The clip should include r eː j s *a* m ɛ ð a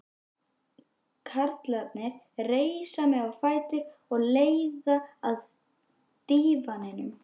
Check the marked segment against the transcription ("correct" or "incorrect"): correct